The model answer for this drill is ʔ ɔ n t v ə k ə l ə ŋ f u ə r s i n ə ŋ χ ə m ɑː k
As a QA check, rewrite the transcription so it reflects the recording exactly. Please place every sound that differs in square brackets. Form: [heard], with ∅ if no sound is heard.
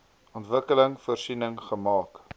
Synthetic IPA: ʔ ɔ n t v ə k ə l ə ŋ f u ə r s i n ə ŋ χ ə m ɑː k